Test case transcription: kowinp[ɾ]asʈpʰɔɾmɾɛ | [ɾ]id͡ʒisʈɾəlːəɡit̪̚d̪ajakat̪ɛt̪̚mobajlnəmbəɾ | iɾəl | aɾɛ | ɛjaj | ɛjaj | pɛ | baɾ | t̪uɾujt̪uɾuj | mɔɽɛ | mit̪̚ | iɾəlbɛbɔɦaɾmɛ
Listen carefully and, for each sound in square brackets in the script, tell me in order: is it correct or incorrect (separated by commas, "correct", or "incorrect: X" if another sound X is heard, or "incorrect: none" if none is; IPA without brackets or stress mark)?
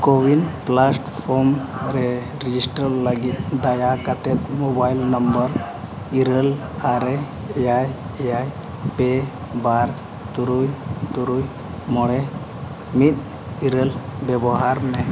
incorrect: l, correct